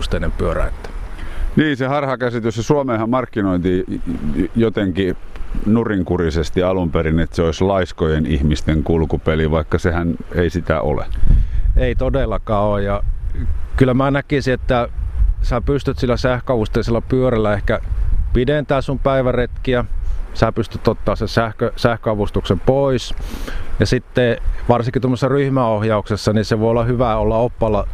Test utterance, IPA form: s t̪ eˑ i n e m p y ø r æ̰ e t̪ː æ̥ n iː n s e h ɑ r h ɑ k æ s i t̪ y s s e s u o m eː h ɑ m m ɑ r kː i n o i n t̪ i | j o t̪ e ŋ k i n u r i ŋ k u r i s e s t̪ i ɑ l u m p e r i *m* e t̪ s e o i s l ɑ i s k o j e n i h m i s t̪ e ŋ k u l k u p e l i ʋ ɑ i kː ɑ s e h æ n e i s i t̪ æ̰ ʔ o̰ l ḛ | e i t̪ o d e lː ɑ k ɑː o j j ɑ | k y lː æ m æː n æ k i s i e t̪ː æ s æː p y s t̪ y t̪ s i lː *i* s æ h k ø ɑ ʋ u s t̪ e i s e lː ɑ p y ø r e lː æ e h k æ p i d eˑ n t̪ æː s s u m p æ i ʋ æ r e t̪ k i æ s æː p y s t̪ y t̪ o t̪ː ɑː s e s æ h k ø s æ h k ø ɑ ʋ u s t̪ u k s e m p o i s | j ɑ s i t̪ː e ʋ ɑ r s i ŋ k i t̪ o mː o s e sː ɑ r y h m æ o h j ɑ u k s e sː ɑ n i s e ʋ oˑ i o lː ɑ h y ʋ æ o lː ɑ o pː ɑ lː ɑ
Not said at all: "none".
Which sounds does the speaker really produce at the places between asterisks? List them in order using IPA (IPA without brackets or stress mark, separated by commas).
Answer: n, æ